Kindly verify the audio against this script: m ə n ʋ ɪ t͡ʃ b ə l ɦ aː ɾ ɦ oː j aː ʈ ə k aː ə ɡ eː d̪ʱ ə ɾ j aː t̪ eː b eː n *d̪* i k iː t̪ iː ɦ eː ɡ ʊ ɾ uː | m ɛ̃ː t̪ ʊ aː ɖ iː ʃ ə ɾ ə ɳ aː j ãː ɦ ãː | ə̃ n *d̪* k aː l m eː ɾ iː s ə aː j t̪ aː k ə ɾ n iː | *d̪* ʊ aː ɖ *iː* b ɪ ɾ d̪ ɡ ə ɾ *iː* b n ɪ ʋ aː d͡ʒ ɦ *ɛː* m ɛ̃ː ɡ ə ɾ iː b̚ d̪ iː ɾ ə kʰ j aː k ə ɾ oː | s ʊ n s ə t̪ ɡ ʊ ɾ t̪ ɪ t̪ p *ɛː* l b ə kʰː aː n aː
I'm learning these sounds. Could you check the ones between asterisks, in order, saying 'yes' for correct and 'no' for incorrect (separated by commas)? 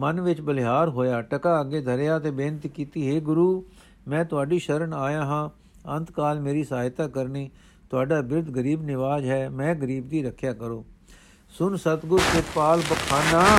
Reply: no, no, no, no, yes, yes, no